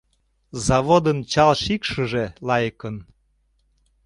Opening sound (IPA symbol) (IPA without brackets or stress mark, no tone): z